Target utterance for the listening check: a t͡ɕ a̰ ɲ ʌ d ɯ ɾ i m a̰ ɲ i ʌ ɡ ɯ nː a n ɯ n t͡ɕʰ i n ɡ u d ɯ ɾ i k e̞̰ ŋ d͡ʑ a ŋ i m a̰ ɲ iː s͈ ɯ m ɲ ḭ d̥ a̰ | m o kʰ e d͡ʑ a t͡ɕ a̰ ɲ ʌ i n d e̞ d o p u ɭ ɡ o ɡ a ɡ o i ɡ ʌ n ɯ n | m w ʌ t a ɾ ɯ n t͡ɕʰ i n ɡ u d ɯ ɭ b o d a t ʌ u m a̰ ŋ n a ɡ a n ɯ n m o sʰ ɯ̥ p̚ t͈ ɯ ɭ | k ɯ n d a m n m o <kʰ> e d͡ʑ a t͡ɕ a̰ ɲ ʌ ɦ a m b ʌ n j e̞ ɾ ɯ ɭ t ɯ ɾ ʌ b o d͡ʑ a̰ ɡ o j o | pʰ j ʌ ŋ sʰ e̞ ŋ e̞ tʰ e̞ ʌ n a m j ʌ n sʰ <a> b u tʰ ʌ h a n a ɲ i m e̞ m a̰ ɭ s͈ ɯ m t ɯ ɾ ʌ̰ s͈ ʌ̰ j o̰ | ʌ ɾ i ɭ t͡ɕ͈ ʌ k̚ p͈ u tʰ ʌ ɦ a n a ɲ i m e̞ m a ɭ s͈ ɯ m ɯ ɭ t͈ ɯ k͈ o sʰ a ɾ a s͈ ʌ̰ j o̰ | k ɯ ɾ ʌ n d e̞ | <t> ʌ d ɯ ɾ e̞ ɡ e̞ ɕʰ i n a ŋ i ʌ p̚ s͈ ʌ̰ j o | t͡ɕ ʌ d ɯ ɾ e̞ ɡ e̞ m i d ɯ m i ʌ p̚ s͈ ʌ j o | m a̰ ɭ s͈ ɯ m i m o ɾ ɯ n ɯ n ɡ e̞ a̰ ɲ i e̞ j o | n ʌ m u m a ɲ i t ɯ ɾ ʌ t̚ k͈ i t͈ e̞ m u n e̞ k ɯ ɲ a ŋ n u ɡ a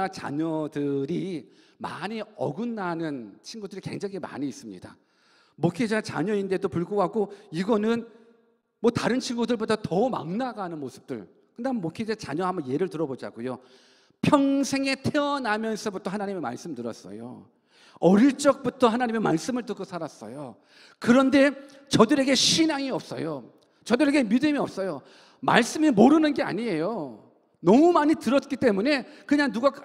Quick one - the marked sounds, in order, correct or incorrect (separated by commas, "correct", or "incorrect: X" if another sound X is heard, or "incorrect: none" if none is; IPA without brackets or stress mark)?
correct, incorrect: ʌ, incorrect: t͡ɕ